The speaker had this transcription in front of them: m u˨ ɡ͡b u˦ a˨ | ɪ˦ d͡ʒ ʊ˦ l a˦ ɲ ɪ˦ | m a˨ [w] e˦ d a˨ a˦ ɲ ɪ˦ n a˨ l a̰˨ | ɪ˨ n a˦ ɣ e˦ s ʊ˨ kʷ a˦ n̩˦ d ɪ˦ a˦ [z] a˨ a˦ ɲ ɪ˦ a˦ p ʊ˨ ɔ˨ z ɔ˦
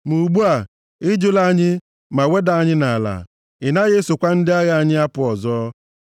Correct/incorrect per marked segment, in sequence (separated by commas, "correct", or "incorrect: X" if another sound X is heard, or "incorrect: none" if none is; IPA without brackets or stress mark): correct, incorrect: ɣ